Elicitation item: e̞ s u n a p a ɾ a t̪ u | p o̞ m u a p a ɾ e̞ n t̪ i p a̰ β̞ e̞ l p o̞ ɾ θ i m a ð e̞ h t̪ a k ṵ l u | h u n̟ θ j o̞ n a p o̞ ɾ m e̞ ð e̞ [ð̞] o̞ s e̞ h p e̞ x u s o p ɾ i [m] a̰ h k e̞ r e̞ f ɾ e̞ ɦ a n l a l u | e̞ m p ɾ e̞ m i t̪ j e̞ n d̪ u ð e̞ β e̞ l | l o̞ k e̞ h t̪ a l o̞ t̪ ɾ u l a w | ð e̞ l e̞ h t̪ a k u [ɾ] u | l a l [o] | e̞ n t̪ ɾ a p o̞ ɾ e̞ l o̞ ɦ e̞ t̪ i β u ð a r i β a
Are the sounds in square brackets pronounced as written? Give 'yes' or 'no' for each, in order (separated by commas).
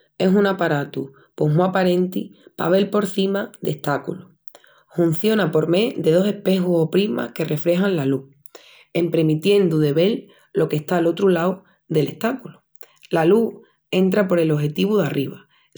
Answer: yes, yes, no, no